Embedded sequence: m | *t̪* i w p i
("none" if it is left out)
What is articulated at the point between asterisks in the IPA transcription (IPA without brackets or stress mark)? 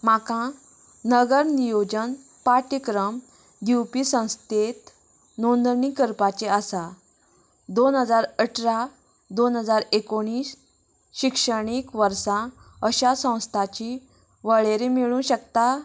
d̪